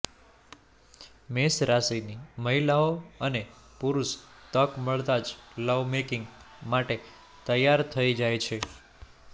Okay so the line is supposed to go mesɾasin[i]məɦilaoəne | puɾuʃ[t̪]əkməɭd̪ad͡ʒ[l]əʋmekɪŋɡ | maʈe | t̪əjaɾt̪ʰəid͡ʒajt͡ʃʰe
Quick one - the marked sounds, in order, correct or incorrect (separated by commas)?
correct, correct, correct